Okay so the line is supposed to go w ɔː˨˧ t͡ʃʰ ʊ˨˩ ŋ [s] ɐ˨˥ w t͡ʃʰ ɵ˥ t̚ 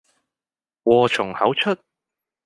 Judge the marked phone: incorrect: h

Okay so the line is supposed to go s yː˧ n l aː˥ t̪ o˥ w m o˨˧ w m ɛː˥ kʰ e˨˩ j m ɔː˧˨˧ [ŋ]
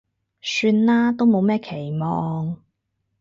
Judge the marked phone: correct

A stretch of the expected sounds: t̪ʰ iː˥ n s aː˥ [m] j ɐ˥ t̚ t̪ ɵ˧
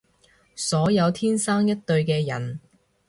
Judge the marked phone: incorrect: ŋ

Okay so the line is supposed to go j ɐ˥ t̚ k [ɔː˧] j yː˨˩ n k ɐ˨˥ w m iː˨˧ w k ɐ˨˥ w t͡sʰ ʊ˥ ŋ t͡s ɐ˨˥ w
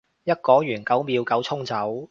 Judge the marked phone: incorrect: ɔː˨˥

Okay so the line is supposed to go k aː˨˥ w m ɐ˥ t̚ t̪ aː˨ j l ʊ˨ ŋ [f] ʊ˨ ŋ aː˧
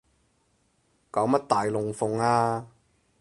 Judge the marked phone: correct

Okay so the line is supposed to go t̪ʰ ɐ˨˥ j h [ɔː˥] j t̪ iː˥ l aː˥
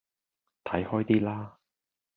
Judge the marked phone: correct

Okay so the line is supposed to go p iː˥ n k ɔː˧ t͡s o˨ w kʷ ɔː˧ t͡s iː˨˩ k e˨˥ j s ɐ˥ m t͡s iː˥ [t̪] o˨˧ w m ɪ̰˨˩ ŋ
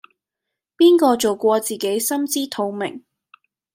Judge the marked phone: incorrect: t̪ʰ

